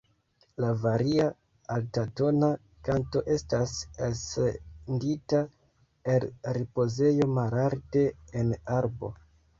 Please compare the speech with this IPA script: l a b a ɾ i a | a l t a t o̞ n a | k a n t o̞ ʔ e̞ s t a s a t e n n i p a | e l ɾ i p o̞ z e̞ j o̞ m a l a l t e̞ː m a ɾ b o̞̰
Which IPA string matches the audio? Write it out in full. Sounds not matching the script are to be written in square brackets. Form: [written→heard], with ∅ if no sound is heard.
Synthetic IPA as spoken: l a [b→v] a ɾ i a | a l t a t o̞ n a | k a n t o̞ ʔ e̞ s t a s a [t→s] e n [n→d] i [p→t] a | e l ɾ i p o̞ z e̞ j o̞ m a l a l t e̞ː [m→n] a ɾ b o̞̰